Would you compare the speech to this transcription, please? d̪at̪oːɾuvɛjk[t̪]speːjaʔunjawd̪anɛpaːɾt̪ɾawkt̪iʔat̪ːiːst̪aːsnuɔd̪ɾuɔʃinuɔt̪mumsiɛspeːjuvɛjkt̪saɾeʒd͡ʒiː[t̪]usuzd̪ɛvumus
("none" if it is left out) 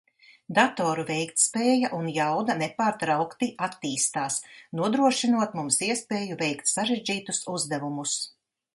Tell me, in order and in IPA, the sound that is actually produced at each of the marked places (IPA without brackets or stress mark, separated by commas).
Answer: t̪, t̪